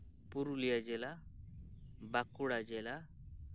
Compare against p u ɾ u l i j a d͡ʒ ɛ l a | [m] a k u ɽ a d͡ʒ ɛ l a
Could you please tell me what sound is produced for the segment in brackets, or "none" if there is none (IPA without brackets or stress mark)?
b